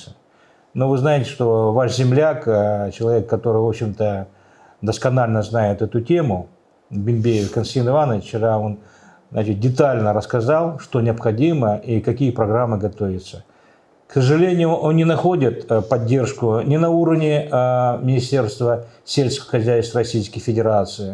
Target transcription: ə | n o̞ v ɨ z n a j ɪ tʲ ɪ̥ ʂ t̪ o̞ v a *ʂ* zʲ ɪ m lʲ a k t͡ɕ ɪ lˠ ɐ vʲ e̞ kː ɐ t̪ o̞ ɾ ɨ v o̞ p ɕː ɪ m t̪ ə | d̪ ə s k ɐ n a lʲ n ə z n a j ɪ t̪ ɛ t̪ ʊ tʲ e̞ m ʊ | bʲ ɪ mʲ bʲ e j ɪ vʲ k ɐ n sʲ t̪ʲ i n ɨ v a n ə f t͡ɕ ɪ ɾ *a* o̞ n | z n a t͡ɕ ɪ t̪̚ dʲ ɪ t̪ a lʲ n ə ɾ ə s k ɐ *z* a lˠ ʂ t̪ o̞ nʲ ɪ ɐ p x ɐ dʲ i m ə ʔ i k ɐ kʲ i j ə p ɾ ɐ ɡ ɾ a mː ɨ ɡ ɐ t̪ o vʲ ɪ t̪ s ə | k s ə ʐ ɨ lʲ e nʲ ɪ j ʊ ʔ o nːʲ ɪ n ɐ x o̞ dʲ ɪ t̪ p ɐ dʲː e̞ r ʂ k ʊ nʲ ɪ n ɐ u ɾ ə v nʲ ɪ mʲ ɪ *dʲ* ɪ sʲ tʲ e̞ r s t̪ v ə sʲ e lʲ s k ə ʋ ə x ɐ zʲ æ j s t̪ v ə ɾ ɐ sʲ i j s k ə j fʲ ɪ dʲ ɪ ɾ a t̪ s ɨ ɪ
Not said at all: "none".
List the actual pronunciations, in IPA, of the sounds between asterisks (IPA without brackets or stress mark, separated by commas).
ʂ, a, z, nʲ